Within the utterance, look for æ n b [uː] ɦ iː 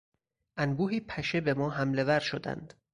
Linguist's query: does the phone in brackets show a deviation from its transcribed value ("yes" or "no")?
no